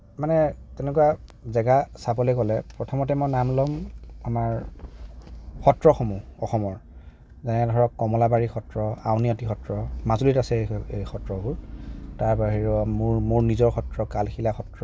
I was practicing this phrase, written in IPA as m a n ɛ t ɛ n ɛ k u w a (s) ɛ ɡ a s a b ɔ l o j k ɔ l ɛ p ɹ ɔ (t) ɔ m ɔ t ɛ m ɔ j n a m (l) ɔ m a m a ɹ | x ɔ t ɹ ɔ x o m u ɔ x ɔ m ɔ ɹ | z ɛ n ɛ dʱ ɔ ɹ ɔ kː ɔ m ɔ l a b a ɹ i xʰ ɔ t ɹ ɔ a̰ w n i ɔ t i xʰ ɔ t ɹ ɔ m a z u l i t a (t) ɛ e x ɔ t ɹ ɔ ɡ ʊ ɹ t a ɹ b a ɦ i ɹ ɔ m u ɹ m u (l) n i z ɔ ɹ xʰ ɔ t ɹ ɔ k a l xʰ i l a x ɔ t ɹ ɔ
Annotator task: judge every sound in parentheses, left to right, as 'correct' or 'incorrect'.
incorrect: z, incorrect: tʰ, correct, incorrect: s, incorrect: ɹ

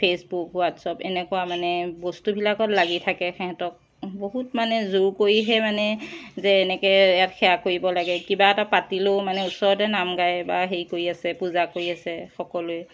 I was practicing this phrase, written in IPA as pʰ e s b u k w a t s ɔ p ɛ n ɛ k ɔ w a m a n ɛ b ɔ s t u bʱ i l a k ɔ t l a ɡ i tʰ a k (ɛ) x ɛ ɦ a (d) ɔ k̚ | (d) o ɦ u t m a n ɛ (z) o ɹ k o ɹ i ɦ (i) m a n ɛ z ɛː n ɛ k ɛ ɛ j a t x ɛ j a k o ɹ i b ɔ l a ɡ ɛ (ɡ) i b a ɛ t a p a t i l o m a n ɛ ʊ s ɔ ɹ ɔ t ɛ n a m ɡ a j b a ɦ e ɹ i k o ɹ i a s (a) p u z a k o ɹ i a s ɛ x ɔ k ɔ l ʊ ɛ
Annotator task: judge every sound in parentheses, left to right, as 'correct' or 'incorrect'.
correct, incorrect: t, incorrect: b, correct, incorrect: ɛ, incorrect: k, incorrect: ɛ

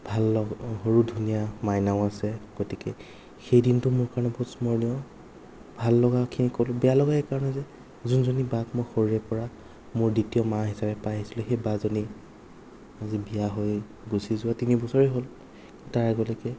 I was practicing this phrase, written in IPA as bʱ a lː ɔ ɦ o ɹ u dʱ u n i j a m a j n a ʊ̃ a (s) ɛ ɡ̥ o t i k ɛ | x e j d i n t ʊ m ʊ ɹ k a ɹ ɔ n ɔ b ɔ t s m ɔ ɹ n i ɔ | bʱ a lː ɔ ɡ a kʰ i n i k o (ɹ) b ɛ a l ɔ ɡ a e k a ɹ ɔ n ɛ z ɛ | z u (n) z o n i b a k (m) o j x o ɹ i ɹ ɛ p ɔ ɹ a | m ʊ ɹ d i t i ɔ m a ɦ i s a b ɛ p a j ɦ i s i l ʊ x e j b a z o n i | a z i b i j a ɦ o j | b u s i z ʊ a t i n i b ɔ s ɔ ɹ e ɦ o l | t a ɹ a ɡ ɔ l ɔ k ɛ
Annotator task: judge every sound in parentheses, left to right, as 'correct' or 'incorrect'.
correct, incorrect: l, correct, correct

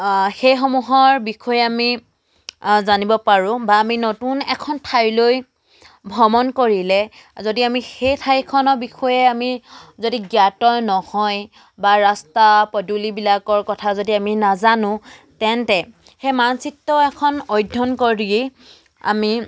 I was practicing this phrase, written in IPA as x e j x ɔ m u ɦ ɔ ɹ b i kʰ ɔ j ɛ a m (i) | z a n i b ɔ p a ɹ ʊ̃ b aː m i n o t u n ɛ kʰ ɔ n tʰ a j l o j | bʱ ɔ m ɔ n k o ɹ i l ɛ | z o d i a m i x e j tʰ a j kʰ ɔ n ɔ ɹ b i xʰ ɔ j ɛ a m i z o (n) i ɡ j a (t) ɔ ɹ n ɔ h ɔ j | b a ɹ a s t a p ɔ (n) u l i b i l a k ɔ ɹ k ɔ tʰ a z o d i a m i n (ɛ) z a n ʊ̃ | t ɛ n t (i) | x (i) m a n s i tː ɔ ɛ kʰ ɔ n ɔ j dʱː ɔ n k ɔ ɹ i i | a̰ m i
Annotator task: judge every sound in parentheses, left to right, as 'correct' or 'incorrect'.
correct, incorrect: d, correct, incorrect: d, incorrect: a, incorrect: ɛ, incorrect: e

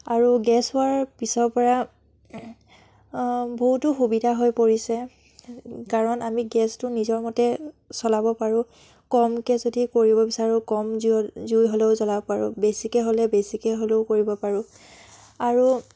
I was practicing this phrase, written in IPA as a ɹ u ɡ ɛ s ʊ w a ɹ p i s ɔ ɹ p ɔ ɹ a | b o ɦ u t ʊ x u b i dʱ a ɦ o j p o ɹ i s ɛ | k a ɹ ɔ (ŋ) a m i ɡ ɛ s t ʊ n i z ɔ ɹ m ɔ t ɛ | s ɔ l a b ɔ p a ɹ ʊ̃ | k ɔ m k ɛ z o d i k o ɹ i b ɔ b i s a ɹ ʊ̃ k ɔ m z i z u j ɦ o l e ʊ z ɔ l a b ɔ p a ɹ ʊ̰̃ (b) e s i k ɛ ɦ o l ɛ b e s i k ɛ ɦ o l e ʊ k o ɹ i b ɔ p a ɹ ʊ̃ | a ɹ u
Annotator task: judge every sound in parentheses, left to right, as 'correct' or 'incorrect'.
incorrect: n, correct

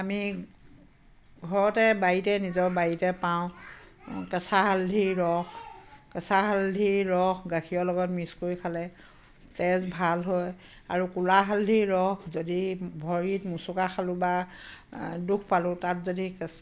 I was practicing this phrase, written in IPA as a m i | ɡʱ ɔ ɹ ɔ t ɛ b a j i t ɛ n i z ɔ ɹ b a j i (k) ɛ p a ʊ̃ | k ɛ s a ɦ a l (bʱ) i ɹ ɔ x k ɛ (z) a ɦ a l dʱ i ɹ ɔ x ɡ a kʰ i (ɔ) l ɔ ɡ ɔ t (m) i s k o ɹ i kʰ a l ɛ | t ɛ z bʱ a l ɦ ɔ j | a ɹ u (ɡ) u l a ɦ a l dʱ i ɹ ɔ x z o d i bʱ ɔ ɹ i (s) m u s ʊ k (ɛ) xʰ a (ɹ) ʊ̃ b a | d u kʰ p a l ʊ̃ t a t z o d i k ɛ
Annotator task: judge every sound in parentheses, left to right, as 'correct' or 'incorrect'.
incorrect: t, incorrect: dʱ, incorrect: s, correct, correct, incorrect: k, incorrect: t, incorrect: a, incorrect: l

